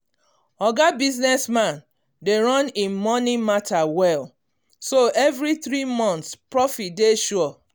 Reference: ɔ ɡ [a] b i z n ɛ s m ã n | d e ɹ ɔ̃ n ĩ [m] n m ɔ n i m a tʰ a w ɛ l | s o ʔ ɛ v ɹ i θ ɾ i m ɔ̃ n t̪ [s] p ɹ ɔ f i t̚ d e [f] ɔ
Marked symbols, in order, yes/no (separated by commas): yes, no, yes, no